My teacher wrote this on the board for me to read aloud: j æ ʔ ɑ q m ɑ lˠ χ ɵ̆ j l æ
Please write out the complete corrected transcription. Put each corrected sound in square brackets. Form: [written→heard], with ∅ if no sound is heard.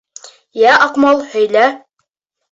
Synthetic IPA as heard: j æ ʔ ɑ q m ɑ lˠ [χ→h] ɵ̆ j l æ